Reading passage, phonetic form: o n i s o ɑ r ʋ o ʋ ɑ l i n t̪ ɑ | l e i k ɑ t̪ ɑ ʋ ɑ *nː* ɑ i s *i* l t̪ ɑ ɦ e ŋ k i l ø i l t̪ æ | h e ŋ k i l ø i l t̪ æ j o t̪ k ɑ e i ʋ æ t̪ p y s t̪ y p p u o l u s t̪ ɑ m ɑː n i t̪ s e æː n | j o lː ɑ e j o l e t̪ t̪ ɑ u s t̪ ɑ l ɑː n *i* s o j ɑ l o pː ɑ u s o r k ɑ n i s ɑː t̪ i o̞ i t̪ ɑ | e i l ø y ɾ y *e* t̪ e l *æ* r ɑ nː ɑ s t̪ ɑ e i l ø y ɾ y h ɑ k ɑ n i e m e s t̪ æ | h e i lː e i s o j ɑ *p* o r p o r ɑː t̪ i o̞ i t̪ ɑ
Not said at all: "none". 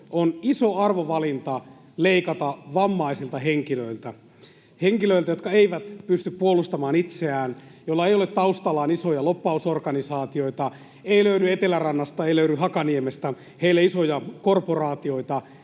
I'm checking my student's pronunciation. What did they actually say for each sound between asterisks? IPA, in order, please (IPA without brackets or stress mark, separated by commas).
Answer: mː, i, i, e, æ, k